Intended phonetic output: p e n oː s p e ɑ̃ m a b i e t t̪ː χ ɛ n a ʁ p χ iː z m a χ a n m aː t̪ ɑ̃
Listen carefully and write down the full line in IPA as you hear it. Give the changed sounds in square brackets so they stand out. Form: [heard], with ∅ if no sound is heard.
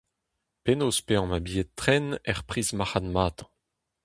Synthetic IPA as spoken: p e n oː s p e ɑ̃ m a b i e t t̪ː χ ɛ n [ɛ] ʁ p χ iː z m a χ a n m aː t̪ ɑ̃